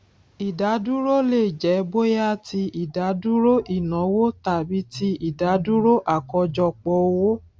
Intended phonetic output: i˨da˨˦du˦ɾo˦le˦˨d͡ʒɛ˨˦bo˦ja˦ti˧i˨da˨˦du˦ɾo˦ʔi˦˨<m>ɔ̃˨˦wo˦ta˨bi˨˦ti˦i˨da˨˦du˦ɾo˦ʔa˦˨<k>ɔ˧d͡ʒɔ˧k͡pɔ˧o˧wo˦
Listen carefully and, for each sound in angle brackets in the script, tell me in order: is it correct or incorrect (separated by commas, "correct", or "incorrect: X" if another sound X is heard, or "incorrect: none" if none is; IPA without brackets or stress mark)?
incorrect: n, correct